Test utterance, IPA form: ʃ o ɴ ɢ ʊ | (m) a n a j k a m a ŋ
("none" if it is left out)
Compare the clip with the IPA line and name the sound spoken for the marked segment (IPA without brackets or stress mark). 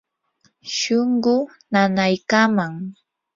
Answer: n